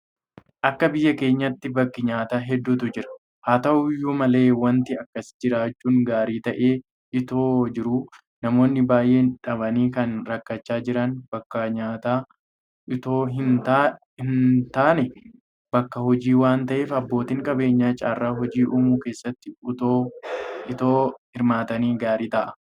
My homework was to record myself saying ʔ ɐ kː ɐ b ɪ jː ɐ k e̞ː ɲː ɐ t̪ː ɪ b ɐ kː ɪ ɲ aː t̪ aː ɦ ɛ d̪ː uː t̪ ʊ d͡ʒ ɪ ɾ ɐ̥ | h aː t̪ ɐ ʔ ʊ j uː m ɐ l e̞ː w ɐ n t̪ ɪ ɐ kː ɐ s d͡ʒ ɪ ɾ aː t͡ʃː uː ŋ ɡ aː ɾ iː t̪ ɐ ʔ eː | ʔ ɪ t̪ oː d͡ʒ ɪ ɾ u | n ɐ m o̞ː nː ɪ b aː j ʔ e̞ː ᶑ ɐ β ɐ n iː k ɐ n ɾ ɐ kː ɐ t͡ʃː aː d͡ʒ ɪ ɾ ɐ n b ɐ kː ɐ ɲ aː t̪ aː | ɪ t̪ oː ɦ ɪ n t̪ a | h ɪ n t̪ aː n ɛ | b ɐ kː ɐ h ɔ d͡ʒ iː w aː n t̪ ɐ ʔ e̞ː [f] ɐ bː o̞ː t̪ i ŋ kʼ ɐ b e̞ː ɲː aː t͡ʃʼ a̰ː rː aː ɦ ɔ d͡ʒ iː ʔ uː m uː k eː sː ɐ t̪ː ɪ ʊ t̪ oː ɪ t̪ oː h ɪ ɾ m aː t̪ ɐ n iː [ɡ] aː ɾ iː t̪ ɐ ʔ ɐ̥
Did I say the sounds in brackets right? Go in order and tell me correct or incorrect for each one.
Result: correct, correct

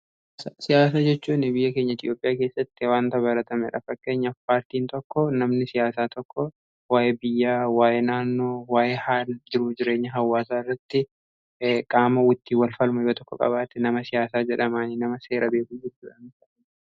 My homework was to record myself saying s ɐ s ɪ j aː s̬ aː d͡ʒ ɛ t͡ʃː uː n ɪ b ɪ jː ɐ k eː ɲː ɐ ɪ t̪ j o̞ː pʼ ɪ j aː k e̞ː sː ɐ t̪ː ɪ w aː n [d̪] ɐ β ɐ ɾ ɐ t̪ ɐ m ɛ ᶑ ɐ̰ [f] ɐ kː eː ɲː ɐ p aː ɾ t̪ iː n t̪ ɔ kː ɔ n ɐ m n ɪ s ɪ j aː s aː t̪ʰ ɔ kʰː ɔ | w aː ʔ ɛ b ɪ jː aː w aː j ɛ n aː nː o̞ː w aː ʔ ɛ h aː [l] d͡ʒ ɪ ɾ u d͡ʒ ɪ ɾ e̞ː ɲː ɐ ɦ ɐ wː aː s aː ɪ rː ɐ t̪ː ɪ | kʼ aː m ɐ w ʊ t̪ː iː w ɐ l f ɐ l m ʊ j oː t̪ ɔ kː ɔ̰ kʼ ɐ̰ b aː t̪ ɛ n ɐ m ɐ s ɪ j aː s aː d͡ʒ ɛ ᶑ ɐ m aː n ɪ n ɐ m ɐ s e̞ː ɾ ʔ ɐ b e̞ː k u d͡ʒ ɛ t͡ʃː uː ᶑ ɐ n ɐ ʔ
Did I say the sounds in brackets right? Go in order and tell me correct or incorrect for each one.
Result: incorrect: t̪, correct, correct

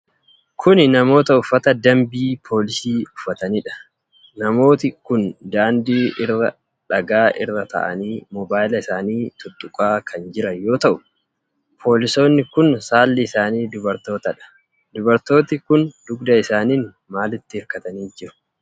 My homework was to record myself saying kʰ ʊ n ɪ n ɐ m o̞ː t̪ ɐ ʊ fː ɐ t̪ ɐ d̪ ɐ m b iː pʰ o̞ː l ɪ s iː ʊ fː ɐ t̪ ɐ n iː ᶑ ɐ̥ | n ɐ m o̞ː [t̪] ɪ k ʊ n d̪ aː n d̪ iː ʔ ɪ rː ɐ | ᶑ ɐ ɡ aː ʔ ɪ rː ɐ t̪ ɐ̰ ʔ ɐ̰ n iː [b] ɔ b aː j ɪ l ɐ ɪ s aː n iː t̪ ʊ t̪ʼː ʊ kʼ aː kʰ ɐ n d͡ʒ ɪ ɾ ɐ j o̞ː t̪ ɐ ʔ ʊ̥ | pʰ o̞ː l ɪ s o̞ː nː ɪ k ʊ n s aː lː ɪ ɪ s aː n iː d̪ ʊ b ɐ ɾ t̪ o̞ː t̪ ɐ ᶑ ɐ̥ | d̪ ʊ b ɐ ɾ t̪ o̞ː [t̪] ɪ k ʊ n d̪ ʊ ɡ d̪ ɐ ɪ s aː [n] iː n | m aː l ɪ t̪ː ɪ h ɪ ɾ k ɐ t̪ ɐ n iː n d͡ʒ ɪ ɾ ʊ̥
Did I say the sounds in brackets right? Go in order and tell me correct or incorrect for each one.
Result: correct, incorrect: m, correct, correct

